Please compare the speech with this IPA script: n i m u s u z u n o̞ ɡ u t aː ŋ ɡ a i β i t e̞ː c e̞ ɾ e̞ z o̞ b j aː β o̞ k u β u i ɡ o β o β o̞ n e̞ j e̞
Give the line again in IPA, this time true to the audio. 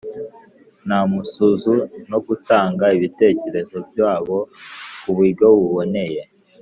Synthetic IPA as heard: n a m u s u z u n o̞ ɡ u t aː ŋ ɡ a i β i t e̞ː c e̞ ɾ e̞ z o̞ b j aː β o̞ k u β u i ɡ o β u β o̞ n e̞ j e̞